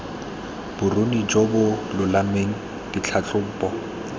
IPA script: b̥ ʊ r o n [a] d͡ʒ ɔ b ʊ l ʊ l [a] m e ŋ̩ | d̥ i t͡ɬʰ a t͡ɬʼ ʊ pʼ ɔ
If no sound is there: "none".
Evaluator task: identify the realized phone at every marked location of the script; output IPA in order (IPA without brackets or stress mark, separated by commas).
i, a